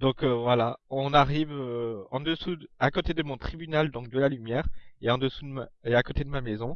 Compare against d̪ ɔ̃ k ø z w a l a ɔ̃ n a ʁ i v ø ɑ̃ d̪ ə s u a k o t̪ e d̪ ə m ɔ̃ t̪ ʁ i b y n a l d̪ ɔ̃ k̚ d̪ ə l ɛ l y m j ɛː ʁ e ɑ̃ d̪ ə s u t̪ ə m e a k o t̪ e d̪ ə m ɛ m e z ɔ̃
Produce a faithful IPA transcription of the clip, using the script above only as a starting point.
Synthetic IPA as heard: d̪ ɔ̃ k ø v w a l a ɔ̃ n a ʁ i v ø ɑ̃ d̪ ə s u a k o t̪ e d̪ ə m ɔ̃ t̪ χ i b y n a l d̪ ɔ̃ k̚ d̪ ə l a l y m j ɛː ʁ e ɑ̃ d̪ ə s u d̪ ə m e a k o t̪ e d̪ ə m a m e z ɔ̃